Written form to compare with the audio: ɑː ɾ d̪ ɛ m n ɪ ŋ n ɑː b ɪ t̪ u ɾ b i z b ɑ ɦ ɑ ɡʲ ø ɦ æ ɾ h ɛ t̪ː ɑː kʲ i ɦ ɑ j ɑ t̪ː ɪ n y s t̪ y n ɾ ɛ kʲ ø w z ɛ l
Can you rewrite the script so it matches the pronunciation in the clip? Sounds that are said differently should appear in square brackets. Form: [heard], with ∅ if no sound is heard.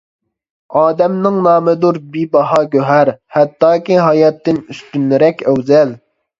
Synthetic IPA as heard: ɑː [∅] d̪ ɛ m n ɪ ŋ n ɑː [m] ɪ [d̪] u ɾ b i [∅] b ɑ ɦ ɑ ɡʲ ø ɦ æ ɾ h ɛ t̪ː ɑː kʲ i ɦ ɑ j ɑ t̪ː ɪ n y s t̪ y n ɾ ɛ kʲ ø w z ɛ l